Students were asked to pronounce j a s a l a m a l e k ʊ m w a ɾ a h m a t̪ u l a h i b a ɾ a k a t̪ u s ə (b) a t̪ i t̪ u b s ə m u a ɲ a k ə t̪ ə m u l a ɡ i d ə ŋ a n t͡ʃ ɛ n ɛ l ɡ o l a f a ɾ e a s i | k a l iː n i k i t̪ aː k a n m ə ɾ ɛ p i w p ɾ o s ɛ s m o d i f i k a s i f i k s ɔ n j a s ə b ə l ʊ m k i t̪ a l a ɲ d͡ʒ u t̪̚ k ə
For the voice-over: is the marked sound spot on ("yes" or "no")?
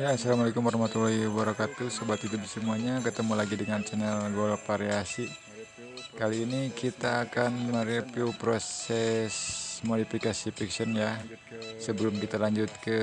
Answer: yes